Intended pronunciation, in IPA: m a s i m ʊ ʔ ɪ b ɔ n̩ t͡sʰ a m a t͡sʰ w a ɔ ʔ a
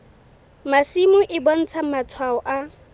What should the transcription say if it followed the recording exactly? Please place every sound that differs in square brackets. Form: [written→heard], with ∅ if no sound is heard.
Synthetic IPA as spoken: m a s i m ʊ ʔ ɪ b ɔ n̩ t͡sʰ a m a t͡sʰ w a ɔ ʔ a